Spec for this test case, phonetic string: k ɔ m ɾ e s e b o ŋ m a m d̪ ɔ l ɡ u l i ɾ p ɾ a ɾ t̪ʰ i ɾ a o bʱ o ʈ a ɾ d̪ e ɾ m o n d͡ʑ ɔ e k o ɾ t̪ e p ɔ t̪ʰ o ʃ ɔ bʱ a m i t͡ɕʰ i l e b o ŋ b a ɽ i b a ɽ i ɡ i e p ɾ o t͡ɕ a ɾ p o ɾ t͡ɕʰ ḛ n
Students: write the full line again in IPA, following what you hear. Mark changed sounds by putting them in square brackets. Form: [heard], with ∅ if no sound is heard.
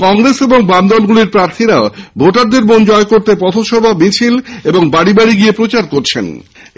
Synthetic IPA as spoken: k ɔ [ŋ] ɾ e s e b o ŋ [b] a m d̪ ɔ l ɡ u l i ɾ p ɾ a ɾ t̪ʰ i ɾ a o bʱ o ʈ a ɾ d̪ e ɾ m o n d͡ʑ ɔ e k o ɾ t̪ e p ɔ t̪ʰ o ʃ ɔ bʱ a m i t͡ɕʰ i l e b o ŋ b a ɽ i b a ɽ i ɡ i e p ɾ o t͡ɕ a ɾ [k] o ɾ t͡ɕʰ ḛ n